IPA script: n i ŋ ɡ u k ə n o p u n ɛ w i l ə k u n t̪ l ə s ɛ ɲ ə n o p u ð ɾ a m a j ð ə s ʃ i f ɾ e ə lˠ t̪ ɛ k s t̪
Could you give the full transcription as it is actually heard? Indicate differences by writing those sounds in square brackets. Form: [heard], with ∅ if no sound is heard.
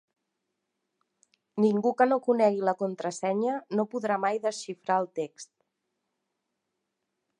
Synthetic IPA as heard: n i ŋ ɡ u k ə n o [k] u n ɛ [ɣ] i l ə k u n t̪ [ɾ] ə s ɛ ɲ ə n o p u ð ɾ a m a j ð ə s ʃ i f ɾ [a] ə lˠ t̪ [e] k s t̪